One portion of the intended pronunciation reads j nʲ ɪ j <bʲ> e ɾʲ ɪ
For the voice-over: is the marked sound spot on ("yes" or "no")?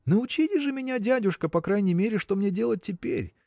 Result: no